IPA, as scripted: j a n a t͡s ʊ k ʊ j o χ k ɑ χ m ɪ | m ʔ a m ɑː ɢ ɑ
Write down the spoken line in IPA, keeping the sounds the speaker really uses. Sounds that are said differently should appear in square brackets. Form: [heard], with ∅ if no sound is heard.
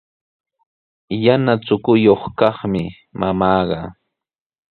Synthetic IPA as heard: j a n a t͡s ʊ k ʊ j o χ k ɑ χ m ɪ | m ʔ a m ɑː ɢ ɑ